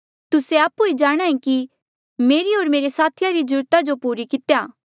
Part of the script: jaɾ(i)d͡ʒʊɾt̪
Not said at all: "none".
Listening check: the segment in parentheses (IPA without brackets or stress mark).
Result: i